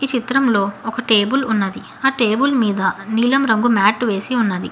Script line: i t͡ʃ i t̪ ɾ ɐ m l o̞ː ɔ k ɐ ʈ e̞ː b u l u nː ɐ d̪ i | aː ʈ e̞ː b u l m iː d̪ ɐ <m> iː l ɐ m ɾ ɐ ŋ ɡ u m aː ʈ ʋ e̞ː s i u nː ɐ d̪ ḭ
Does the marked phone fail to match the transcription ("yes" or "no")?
yes